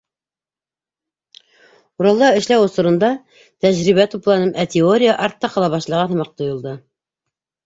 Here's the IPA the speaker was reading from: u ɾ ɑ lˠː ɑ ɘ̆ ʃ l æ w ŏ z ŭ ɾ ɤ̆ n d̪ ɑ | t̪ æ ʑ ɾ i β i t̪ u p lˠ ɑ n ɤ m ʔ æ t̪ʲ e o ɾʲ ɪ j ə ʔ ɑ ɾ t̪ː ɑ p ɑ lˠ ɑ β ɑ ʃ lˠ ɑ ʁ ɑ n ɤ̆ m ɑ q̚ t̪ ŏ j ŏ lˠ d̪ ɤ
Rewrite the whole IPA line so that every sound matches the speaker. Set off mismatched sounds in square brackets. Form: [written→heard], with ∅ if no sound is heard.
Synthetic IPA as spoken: u ɾ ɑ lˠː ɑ ɘ̆ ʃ l æ w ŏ [z→s] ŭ ɾ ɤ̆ n d̪ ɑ | t̪ æ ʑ ɾ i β [i→æ] t̪ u p lˠ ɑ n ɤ m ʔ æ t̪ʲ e o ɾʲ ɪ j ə ʔ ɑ ɾ t̪ː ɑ [p→q] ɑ lˠ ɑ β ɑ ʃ lˠ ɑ ʁ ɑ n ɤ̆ m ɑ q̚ t̪ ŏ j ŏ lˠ d̪ ɤ